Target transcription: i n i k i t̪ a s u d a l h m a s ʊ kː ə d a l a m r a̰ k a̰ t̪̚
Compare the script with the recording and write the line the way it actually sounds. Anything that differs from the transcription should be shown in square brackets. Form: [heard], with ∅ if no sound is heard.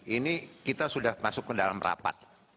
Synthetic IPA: i n i k i t̪ a s u d a [∅] h m a s ʊ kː ə d a l a m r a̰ [p] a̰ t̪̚

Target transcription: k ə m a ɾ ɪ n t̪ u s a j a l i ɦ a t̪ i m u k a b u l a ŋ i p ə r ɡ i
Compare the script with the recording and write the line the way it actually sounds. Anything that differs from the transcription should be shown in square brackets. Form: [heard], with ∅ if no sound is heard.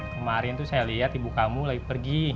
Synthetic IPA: k ə m a ɾ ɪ n t̪ u s a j a l i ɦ a t̪ i [b] u k a [m] u l a [ɡ] i p ə r ɡ i

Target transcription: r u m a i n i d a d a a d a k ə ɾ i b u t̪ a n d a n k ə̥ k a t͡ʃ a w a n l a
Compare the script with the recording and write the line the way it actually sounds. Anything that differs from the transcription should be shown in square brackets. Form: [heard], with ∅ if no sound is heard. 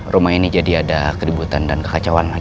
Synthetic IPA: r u m a i n i [d͡ʒ] a d [i] a d a k ə ɾ i b u t̪ a n d a n k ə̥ k a t͡ʃ a w a n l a

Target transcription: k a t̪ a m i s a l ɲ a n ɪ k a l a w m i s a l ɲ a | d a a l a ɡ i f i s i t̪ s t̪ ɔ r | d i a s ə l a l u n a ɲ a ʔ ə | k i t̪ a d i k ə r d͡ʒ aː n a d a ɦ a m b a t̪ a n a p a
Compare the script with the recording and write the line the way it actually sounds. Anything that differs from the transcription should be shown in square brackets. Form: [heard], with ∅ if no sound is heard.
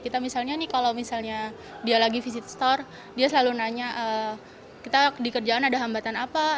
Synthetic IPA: k [i] t̪ a m i s a l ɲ a n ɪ k a l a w m i s a l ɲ a | d [i] a l a ɡ i f i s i t̪ s t̪ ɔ r | d i a s ə l a l u n a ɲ a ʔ ə | k i t̪ a d i k ə r d͡ʒ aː n a d a ɦ a m b a t̪ a n a p a

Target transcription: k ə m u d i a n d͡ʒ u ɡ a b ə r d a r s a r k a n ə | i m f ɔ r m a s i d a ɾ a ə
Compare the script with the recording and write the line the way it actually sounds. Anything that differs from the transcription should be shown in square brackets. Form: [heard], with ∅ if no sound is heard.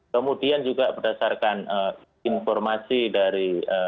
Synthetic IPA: k ə m u d i a n d͡ʒ u ɡ a b ə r d a [∅] s a r k a n ə | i [n] f ɔ r m a s i d a ɾ [i] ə

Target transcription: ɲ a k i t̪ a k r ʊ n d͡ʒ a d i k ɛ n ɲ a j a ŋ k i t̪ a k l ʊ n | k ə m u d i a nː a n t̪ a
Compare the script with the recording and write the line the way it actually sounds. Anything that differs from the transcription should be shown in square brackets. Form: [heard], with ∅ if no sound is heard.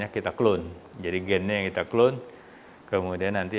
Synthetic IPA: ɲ a k i t̪ a k [l] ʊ n d͡ʒ a d i [ɡ] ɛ n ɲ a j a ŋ k i t̪ a k l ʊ n | k ə m u d i a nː a n t̪ [i]

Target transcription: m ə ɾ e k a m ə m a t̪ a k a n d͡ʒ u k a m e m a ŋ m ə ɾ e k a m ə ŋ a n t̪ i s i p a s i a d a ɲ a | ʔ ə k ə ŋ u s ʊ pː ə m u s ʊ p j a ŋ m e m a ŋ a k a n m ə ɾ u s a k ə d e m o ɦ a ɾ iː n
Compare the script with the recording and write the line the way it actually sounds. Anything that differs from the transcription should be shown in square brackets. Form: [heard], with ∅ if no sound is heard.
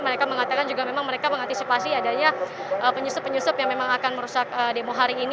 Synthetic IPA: m ə ɾ e k a m ə [ŋ] a t̪ a k a n d͡ʒ u [ɡ] a m e m a ŋ m ə ɾ e k a m ə ŋ a n t̪ i s i p a s i a d a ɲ a | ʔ ə [p] ə [ɲ] u s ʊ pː ə [ɲ] u s ʊ p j a ŋ m e m a ŋ a k a n m ə ɾ u s a k ə d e m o ɦ a ɾ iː n

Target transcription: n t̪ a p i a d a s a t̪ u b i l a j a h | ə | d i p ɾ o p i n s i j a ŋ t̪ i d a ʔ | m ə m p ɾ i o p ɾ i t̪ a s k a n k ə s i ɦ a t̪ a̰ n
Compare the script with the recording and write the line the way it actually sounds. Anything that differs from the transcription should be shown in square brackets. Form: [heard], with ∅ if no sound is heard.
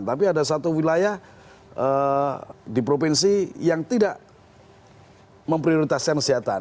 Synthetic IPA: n t̪ a p i a d a s a t̪ u [w] i l a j a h | ə | d i p ɾ o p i n s i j a ŋ t̪ i d a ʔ | m ə m p ɾ i o [∅] ɾ i t̪ a s k a n k ə s i ɦ a t̪ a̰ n

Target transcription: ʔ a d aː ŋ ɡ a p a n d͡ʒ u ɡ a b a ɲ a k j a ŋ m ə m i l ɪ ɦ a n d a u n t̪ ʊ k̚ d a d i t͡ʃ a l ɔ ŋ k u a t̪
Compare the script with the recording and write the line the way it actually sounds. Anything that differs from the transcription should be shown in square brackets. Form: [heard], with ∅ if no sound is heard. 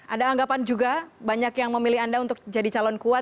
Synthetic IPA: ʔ a d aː ŋ ɡ a p a n d͡ʒ u ɡ a b a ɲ a k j a ŋ m ə m i l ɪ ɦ a n d a u n t̪ ʊ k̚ [d͡ʒ] a d i t͡ʃ a l ɔ [n] k u a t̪

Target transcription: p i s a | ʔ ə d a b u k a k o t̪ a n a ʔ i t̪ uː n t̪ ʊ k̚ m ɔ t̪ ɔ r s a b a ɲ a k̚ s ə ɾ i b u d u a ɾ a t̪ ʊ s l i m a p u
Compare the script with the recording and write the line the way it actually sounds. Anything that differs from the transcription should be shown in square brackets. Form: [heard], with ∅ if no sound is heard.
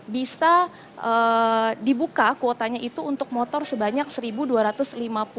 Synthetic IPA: [b] i s a | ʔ ə d [i] b u k a k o t̪ a [ɲ] a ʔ i t̪ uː n t̪ ʊ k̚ m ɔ t̪ ɔ r s [ə] b a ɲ a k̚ s ə ɾ i b u d u a ɾ a t̪ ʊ s l i m a p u

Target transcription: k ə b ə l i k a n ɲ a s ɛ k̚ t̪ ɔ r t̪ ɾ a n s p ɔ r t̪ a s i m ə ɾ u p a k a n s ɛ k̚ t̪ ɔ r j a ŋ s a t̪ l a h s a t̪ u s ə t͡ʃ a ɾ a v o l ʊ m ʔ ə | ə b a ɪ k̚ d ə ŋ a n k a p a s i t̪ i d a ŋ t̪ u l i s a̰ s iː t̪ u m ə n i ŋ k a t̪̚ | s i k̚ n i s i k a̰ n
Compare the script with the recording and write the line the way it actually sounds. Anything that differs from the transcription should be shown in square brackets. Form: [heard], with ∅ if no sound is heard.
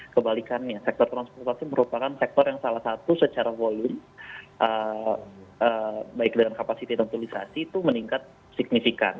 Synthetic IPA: k ə b [a] l i k a n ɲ a s ɛ k̚ t̪ ɔ r t̪ ɾ a n s p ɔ r t̪ a s i m ə ɾ u p a k a n s ɛ k̚ t̪ ɔ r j a ŋ s a [∅] l a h s a t̪ u s ə t͡ʃ a ɾ a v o l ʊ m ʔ ə | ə b a ɪ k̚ d ə ŋ a n k a p a s i t̪ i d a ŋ t̪ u l i s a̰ s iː t̪ u m ə n i ŋ k a t̪̚ | s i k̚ n i [f] i k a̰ n

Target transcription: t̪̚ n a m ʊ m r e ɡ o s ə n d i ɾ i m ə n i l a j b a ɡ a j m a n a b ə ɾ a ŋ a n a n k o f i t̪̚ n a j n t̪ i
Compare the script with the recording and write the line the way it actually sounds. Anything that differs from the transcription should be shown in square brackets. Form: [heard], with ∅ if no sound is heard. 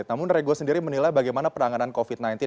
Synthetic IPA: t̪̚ n a m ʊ [n] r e ɡ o s ə n d i ɾ i m ə n i l a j b a ɡ a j m a n a [p] ə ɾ a ŋ a n a n k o f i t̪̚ n a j n t̪ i

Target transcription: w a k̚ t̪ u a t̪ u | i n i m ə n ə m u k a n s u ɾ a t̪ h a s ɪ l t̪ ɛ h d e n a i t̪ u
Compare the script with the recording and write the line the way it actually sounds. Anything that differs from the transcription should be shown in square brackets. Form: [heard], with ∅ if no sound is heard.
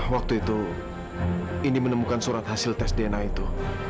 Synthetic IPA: w a k̚ t̪ u [i] t̪ u | i n i m ə n ə m u k a n s u ɾ a t̪ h a s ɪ l t̪ ɛ [s] d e n a i t̪ u

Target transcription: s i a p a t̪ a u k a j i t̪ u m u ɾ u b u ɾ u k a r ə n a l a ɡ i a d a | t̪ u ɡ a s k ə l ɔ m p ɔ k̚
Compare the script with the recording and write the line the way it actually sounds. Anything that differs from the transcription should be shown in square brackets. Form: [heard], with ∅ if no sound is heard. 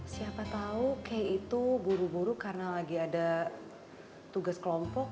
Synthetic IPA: s i a p a t̪ a u k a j i t̪ u [b] u ɾ u b u ɾ u k a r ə n a l a ɡ i a d a | t̪ u ɡ a s k ə l ɔ m p ɔ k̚

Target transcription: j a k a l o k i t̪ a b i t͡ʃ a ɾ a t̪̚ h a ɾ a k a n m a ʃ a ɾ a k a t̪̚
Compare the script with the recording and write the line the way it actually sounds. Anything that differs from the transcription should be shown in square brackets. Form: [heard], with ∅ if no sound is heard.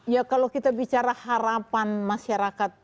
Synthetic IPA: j a k a l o k i t̪ a b i t͡ʃ a ɾ a [∅] h a ɾ a [p] a n m a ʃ a ɾ a k a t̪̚

